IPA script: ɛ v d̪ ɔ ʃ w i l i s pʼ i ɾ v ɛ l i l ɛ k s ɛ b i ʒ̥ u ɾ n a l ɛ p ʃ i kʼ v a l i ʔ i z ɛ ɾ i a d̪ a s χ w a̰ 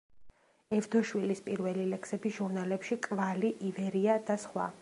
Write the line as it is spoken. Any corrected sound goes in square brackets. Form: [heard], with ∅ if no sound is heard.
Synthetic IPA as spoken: ɛ v d̪ ɔ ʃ w i l i s pʼ i ɾ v ɛ l i l ɛ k s ɛ b i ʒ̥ u ɾ n a l ɛ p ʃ i kʼ v a l i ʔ i [v] ɛ ɾ i a d̪ a s χ w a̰